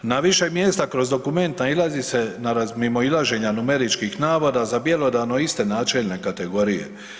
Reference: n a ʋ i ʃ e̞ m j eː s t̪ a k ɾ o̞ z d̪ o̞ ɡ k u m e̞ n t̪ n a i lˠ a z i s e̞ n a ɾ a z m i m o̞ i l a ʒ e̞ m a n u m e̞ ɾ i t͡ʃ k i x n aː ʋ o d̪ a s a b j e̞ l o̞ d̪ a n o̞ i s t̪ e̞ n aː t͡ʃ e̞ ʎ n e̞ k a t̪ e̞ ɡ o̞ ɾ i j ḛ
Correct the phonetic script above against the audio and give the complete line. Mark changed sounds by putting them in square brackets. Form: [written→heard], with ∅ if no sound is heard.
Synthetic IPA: n a ʋ i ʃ e̞ m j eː s t̪ a k ɾ o̞ z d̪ o̞ [ɡ→∅] k u m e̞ n t̪ n a i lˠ a z i s e̞ n a ɾ a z m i m o̞ i l a ʒ e̞ [m→ɲ] a n u m e̞ ɾ i t͡ʃ k i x n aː ʋ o d̪ a [s→z] a b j e̞ l o̞ d̪ a n o̞ i s t̪ e̞ n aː t͡ʃ e̞ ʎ n e̞ k a t̪ e̞ ɡ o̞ ɾ i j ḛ